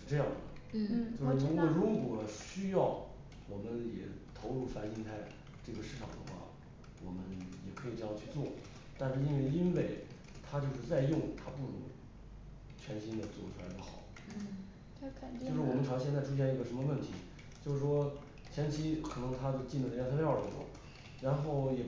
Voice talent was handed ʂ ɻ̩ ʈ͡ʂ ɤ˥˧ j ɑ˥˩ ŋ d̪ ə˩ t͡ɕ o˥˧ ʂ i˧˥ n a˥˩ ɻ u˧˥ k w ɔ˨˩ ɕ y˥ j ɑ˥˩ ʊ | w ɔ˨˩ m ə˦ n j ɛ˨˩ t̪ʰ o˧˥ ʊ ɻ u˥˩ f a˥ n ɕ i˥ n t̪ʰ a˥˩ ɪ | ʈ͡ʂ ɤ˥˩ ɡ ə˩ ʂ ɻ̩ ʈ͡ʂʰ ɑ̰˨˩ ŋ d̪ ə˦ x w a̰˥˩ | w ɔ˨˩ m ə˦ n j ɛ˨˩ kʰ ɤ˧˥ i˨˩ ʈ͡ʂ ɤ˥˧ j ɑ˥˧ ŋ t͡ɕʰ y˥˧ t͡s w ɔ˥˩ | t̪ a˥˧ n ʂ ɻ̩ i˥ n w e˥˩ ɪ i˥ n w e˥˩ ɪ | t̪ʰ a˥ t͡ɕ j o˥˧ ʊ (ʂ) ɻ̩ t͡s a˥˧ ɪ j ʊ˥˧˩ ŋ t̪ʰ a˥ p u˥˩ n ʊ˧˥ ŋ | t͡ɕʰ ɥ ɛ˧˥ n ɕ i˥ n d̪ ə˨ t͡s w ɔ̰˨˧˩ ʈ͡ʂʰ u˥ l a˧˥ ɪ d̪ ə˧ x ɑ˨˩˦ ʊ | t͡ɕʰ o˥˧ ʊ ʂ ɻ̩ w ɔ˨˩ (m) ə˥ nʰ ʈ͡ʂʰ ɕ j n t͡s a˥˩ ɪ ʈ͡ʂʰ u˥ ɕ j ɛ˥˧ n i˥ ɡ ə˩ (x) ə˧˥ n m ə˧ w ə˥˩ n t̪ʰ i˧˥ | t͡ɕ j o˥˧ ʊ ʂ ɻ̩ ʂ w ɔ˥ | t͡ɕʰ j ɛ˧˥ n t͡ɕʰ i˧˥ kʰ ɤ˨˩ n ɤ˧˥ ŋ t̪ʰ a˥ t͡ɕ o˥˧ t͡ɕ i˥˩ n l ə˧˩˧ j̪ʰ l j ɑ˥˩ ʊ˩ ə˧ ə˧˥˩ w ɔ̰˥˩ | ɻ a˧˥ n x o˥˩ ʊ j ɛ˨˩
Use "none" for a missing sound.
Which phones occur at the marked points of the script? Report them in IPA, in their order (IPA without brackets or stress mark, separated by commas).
ʂ, m, ʂ